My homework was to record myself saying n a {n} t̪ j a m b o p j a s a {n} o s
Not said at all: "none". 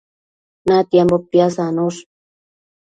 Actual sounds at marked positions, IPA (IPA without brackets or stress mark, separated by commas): none, n